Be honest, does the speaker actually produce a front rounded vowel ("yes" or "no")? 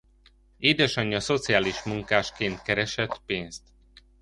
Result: no